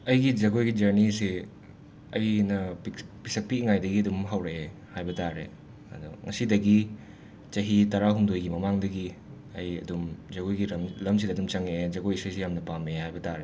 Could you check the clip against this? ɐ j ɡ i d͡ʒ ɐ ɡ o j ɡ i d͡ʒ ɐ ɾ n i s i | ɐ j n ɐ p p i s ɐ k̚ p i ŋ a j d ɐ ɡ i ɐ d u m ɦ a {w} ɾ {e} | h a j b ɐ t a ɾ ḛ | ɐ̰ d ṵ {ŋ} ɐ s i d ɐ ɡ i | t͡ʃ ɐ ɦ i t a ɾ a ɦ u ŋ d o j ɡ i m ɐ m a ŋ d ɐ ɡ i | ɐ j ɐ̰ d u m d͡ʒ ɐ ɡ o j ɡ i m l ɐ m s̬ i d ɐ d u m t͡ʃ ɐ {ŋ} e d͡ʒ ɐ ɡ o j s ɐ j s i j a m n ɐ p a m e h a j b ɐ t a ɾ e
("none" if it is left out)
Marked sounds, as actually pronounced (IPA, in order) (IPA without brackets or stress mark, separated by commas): w, e, ŋ, ŋ